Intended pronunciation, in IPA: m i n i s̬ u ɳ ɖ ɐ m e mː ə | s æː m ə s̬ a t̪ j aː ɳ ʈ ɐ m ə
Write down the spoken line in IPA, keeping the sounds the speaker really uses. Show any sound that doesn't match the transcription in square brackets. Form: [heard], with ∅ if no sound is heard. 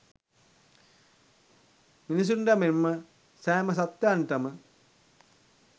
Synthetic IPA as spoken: m i n i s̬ u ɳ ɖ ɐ m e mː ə | s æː m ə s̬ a t̪ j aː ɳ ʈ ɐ m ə